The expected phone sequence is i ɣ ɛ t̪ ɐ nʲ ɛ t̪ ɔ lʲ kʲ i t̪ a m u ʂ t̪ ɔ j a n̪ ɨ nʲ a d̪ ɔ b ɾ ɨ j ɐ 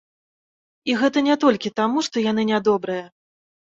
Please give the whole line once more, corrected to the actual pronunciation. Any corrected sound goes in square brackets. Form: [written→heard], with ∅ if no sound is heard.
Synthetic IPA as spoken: i ɣ ɛ t̪ ɐ nʲ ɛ t̪ ɔ lʲ kʲ i t̪ a m u ʂ t̪ ɔ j a n̪ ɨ nʲ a d̪ ɔ b ɾ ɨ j ɐ